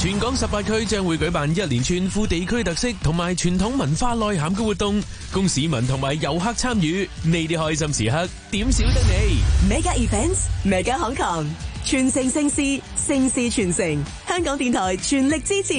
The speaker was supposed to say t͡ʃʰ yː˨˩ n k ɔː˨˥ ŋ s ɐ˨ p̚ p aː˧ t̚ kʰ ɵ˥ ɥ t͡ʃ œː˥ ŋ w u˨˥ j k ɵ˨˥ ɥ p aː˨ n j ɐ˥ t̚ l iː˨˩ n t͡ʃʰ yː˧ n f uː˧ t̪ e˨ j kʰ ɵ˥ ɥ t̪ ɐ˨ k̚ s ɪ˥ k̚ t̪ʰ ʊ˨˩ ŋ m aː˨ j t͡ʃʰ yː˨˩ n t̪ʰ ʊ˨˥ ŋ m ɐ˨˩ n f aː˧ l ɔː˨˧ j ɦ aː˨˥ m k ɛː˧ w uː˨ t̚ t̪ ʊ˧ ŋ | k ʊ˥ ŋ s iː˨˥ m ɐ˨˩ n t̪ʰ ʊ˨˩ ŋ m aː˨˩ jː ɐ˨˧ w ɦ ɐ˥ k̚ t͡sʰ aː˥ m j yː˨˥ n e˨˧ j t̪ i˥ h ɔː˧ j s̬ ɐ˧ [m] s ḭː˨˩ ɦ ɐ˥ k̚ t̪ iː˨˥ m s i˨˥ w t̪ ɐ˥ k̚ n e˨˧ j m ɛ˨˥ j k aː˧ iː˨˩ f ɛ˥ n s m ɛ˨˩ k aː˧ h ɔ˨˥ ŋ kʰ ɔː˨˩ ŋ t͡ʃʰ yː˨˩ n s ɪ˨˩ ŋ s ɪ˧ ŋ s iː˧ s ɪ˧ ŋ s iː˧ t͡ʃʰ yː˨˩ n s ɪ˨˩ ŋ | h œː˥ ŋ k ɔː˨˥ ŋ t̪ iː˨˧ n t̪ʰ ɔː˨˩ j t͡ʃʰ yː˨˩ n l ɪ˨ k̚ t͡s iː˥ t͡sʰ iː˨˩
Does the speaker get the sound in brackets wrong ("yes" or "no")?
no